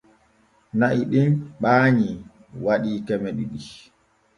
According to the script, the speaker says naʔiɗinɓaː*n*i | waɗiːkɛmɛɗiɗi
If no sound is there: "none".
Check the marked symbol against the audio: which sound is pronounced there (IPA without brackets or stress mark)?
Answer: ɲ